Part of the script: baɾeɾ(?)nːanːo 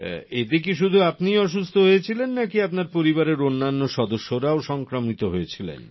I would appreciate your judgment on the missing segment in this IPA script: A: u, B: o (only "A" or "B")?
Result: B